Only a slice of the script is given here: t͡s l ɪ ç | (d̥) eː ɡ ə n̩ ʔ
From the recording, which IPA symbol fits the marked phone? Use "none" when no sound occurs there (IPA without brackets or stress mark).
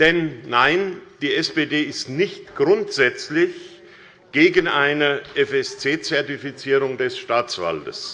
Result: ɡ̥